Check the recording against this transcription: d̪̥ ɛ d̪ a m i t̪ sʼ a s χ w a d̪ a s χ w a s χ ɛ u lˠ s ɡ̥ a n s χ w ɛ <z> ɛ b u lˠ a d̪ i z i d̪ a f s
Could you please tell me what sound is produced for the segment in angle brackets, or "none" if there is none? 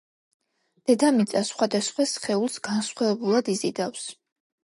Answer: v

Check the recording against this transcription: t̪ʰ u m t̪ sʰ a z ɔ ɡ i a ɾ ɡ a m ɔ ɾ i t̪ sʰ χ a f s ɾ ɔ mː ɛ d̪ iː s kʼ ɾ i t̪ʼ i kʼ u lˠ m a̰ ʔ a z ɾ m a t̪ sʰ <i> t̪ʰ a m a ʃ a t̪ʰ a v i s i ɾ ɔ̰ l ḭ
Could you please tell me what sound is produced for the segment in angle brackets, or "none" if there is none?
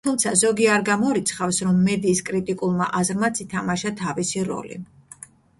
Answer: i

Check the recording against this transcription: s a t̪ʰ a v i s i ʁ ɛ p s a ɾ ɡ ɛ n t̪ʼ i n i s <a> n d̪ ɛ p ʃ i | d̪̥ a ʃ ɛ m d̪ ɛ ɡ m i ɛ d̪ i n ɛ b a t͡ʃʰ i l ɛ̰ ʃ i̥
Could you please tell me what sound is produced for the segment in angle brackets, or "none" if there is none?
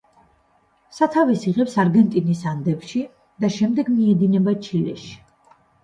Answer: a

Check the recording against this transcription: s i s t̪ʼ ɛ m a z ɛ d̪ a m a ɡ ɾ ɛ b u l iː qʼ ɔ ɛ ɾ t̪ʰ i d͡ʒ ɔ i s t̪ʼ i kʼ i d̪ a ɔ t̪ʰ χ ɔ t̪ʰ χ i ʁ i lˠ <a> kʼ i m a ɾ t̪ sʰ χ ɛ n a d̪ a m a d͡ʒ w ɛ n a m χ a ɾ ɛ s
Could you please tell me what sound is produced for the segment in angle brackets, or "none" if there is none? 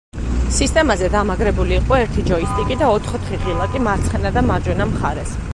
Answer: a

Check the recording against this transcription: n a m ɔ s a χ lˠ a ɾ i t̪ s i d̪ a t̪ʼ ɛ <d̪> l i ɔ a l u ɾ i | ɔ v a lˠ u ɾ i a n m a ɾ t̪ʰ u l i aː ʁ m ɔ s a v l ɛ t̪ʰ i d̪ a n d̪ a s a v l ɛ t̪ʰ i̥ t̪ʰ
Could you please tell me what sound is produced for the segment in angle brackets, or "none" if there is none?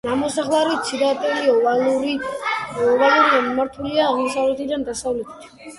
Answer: none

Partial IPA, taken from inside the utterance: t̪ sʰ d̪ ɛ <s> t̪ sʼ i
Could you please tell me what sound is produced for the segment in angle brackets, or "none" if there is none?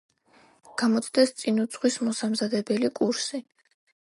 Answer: s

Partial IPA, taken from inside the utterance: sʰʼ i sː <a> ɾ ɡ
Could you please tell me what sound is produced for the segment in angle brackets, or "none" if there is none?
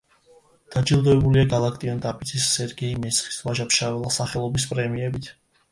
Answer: ɛ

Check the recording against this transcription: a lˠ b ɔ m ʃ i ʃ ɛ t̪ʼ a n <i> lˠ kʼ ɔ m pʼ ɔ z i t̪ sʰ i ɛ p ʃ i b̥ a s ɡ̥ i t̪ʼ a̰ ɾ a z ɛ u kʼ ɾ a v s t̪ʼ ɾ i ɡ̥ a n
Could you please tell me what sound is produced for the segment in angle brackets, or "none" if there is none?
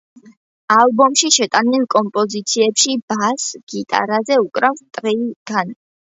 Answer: i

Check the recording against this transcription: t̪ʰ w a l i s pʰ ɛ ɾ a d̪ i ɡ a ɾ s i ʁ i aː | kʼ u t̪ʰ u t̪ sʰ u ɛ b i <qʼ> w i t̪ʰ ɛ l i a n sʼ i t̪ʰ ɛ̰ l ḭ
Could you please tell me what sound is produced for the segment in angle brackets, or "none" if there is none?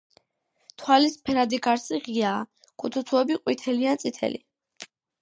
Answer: qʼ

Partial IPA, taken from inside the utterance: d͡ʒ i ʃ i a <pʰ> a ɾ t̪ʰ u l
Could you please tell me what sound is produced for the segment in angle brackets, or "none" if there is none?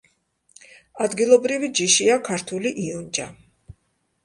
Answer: kʰ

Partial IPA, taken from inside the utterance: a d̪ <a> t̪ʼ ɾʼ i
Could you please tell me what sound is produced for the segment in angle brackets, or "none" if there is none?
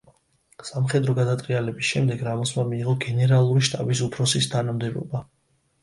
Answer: a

